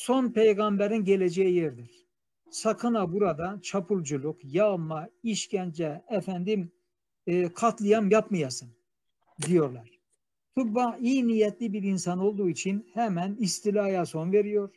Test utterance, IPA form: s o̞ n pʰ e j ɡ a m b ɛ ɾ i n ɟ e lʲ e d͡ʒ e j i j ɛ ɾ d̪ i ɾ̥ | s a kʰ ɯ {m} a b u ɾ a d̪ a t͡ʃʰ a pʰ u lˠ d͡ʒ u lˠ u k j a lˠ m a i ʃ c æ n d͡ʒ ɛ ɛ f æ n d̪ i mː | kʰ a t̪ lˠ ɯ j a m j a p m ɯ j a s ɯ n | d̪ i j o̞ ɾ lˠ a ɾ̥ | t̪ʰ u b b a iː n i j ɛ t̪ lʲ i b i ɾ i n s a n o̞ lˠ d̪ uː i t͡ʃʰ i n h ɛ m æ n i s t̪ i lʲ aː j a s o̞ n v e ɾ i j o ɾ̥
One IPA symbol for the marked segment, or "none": n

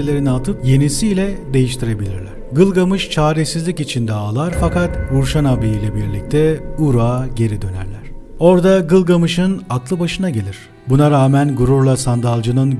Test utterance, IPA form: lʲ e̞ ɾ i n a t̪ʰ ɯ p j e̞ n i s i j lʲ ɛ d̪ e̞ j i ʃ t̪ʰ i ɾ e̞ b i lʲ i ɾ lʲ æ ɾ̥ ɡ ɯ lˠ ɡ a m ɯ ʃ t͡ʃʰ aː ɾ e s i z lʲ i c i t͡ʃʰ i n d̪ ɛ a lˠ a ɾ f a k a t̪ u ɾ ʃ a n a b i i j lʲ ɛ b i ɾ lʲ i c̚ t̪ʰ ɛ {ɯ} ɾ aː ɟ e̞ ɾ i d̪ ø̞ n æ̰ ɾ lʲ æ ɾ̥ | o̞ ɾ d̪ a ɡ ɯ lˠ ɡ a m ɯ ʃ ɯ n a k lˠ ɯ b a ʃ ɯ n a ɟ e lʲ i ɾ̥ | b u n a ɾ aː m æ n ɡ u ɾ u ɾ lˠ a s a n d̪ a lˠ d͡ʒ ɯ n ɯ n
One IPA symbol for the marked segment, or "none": u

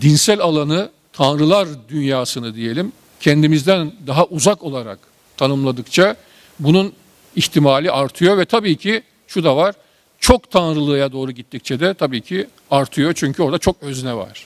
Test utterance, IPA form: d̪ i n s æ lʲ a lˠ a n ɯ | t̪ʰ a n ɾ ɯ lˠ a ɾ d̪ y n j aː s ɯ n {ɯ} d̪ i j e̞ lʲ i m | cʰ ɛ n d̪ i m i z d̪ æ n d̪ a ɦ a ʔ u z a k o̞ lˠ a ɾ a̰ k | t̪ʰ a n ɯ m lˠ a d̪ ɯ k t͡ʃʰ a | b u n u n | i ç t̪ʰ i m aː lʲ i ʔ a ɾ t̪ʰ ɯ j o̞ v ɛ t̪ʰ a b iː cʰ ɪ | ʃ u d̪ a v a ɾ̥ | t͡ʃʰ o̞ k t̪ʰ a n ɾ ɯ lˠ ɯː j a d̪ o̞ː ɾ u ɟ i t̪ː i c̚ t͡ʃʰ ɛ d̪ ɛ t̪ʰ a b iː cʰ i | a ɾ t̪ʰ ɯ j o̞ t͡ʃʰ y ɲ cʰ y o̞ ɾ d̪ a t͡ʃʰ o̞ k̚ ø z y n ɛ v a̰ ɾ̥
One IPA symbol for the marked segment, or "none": ɯ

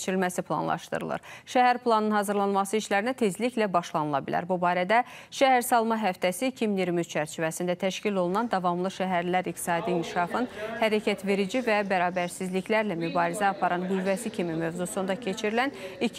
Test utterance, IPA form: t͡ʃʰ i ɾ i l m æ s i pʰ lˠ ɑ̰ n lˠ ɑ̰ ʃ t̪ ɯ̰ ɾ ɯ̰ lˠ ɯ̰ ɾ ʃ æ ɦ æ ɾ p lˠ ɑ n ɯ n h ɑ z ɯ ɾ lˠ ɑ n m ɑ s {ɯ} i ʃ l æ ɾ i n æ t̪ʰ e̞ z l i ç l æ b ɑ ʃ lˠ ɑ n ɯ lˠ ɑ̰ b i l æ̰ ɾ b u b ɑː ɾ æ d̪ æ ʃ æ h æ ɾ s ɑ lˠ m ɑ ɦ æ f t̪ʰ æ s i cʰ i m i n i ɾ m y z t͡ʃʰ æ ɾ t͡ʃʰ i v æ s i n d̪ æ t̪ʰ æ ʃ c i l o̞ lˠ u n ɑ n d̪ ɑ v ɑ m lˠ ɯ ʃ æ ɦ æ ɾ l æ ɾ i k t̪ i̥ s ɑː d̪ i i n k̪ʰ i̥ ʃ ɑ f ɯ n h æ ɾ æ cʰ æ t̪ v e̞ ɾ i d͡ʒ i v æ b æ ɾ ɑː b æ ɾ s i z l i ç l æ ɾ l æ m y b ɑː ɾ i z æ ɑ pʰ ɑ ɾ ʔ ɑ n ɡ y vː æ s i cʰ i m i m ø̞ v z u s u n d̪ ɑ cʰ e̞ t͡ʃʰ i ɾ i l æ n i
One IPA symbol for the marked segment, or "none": ɯ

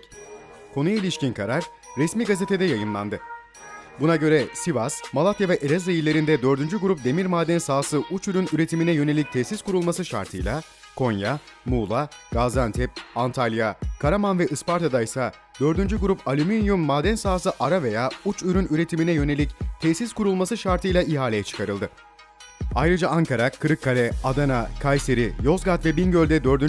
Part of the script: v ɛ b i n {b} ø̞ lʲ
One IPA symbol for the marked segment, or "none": ɟ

